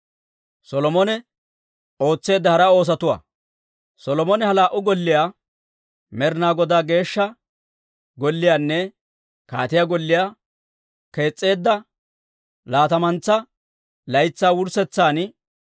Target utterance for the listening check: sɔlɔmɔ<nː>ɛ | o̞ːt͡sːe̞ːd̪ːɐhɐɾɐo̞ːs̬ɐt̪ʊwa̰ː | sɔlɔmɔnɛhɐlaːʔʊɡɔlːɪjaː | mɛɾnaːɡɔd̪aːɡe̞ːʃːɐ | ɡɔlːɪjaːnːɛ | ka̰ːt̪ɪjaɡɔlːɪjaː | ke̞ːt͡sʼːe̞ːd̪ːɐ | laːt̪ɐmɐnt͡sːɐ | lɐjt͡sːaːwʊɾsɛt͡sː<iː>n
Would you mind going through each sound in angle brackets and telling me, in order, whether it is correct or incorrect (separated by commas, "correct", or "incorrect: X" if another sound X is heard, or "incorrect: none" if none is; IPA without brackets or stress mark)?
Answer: incorrect: n, incorrect: aː